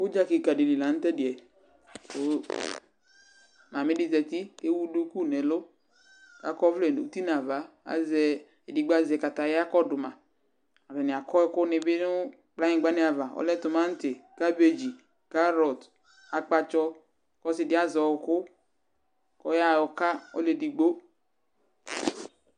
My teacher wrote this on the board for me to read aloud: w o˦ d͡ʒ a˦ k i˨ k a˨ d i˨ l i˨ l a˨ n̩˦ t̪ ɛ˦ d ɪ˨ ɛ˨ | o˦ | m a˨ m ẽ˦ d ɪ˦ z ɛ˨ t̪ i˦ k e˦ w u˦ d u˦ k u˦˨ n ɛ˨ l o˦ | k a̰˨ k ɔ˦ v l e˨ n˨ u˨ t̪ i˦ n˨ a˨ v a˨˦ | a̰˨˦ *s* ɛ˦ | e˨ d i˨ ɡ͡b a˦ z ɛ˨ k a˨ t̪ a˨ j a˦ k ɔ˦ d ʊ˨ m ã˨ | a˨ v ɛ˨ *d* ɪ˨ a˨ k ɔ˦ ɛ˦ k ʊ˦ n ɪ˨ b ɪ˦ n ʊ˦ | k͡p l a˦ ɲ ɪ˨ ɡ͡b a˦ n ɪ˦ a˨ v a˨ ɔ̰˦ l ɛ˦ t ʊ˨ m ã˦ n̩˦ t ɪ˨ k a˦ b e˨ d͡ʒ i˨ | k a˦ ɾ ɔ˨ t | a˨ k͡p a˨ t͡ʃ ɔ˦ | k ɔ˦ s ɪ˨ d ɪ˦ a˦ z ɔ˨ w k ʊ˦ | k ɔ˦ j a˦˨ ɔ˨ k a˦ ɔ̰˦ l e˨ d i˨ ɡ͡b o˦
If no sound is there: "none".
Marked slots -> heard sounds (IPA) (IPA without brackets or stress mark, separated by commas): z, n